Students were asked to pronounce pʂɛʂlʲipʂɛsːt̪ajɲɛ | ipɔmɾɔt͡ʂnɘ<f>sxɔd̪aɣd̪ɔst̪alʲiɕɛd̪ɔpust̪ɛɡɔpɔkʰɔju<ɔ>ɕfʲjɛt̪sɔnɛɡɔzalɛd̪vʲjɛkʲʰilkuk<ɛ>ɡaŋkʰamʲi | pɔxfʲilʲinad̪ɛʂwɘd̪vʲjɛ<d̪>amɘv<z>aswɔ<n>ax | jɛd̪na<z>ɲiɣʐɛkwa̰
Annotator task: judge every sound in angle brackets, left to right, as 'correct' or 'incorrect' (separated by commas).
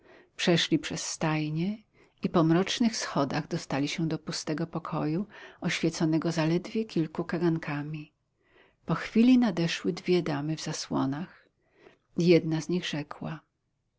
incorrect, correct, incorrect, correct, correct, correct, correct